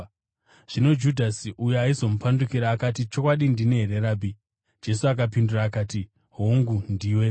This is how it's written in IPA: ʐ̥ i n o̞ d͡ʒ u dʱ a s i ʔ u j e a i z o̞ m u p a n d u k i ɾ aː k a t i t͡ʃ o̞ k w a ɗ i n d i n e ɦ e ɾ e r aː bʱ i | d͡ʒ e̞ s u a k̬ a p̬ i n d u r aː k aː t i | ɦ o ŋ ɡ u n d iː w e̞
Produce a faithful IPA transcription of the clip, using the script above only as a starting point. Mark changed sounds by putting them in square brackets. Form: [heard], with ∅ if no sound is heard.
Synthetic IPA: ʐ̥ i n o̞ d͡ʒ u dʱ a s i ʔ u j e a i z o̞ m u p a n d u k i ɾ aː k a t i t͡ʃ o̞ k w a ɗ i n d i n e ɦ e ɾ e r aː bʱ i | d͡ʒ e̞ s u a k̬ a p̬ i n d u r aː k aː t i | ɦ o ŋ ɡ u n d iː w e̞